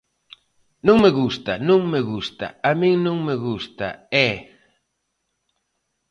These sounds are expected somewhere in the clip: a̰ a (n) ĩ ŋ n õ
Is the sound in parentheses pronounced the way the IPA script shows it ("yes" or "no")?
no